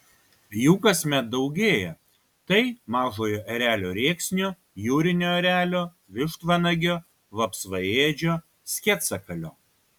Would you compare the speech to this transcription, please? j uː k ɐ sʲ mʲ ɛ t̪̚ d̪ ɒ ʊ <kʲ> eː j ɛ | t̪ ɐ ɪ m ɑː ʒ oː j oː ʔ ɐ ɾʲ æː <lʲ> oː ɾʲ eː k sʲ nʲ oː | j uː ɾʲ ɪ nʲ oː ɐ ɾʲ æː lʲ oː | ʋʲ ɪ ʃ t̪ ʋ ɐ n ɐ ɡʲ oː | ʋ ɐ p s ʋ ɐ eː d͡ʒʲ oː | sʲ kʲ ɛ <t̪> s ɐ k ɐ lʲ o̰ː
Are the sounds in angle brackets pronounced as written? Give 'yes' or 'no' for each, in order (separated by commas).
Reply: no, yes, yes